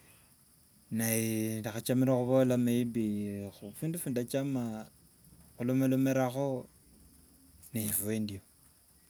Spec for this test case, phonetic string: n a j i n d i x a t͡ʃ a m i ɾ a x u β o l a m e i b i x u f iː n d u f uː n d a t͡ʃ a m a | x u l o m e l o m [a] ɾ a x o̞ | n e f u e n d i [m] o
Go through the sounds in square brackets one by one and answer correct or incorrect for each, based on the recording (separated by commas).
incorrect, incorrect